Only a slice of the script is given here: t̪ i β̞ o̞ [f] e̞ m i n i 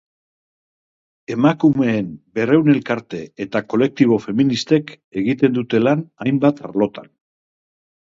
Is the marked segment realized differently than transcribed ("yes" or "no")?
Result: no